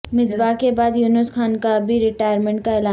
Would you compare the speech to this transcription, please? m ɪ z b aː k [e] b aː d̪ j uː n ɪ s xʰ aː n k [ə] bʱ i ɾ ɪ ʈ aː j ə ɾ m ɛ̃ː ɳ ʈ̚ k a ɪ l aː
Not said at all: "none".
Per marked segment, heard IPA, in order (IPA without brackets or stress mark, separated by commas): e, a